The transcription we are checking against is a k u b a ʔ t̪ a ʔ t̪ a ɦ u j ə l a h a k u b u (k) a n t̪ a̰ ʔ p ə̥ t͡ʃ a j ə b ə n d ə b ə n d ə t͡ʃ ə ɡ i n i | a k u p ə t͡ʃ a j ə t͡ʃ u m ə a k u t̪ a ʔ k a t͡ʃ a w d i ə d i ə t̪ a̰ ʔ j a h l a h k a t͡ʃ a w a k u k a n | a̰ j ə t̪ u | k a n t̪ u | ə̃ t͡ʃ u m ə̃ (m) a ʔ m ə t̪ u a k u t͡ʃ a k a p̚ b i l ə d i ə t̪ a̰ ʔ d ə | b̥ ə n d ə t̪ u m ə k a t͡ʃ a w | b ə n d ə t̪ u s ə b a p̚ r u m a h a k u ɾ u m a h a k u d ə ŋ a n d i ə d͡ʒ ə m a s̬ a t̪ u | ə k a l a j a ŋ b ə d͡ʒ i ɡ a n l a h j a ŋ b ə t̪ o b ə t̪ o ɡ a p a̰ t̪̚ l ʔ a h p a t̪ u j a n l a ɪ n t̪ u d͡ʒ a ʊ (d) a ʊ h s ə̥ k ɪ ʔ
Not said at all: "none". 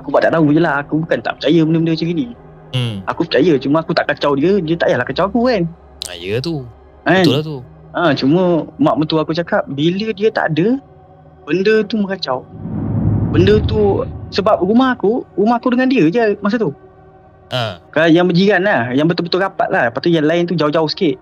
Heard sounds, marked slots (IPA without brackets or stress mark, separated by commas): k, m, d͡ʒ